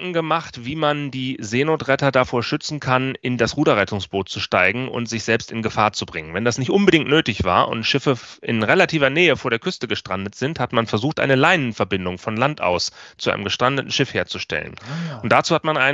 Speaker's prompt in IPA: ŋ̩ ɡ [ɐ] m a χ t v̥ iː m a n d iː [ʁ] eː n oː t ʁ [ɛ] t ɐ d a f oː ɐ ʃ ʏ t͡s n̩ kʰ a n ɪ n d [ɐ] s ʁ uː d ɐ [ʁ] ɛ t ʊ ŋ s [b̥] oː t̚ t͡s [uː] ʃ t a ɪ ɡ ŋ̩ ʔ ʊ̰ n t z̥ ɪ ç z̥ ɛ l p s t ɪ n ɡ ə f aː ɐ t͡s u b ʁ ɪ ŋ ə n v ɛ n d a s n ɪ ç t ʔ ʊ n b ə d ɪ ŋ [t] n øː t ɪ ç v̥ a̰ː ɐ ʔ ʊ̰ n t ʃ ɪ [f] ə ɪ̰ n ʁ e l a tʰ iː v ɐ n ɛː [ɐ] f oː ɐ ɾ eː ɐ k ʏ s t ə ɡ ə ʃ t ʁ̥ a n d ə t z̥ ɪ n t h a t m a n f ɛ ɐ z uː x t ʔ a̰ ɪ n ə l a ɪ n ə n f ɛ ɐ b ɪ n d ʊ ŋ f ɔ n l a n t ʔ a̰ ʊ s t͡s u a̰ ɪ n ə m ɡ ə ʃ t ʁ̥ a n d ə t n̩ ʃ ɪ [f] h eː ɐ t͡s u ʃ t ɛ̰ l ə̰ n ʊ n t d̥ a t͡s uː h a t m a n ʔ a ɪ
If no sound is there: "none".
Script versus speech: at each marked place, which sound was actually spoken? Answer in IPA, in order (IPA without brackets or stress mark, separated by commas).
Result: ə, z, ɛ, a, ʁ, b̥, u, t, f, ə, f